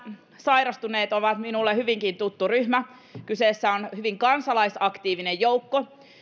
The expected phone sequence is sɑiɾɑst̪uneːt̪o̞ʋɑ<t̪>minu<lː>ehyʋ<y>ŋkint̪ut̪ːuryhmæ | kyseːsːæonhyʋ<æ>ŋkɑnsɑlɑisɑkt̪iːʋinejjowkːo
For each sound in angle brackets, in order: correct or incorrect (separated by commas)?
correct, correct, incorrect, incorrect